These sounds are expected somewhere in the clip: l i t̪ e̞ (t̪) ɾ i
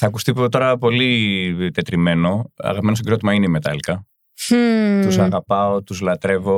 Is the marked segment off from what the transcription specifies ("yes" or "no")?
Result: no